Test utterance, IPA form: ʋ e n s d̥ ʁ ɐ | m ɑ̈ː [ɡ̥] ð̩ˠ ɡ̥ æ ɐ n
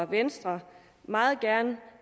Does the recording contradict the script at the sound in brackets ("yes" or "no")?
yes